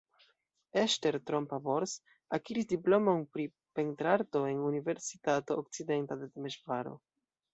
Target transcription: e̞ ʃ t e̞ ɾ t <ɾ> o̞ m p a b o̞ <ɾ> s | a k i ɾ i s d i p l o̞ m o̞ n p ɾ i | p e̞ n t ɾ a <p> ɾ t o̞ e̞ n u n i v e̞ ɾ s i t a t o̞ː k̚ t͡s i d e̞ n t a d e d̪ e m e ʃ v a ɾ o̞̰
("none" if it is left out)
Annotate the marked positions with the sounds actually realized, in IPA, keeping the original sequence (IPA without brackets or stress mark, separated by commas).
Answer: ɾ, ɾ, none